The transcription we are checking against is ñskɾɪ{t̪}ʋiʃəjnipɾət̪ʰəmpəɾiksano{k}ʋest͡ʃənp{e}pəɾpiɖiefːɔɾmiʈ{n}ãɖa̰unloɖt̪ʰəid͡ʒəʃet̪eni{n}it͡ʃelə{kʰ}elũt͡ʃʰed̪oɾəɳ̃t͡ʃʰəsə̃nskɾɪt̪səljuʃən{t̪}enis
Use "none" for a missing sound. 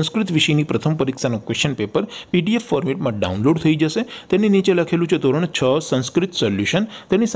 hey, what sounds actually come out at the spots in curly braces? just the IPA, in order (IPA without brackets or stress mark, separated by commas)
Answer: t̪, k, e, m, n, kʰ, t̪